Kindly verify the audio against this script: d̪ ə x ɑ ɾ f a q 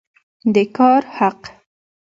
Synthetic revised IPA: d̪ ə k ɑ ɾ h a q